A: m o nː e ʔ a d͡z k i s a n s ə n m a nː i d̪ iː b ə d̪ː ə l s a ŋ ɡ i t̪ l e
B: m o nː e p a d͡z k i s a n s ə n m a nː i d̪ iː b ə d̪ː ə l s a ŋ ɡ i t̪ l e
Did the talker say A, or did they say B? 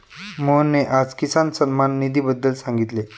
A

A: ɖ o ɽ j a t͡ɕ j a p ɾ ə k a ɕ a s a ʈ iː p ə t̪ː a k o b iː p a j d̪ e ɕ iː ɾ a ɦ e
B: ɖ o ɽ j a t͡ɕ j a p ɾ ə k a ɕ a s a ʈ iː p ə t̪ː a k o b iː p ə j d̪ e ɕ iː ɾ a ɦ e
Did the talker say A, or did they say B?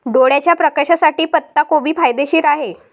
A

